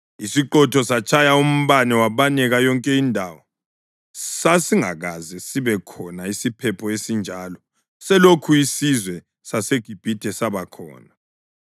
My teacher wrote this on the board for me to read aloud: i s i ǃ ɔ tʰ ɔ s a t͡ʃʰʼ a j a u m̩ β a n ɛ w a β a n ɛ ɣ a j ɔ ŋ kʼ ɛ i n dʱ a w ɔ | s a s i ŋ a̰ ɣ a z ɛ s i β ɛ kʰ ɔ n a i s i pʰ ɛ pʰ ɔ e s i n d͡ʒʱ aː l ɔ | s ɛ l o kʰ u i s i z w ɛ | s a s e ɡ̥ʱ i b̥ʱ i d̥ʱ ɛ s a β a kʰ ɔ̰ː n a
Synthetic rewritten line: i s i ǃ ɔ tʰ ɔ s a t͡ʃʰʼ a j a u m̩ β a n ɛ w a β a n ɛ ɣ a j ɔ ŋ kʼ ɛ i n dʱ a w ɔ | s a s i ŋ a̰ ɣ a z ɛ s i β ɛ kʰ ɔ n a i s i pʰ ɛ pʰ ɔ e s i n d͡ʒʱ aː l ɔ | s ɛ l o kʰ u i s i z w ɛ | s a s e ɡ̥ʱ i b̥ʱ i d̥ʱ ɛ s a β a kʰ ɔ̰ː n a